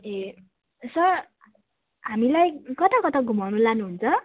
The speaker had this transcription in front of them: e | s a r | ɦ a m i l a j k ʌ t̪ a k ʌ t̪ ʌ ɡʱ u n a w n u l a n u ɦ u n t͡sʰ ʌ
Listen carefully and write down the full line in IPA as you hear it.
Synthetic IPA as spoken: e | s ʌ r | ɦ a m i l a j k ʌ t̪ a k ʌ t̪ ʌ ɡʱ u m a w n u l a n u ɦ u n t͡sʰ ʌ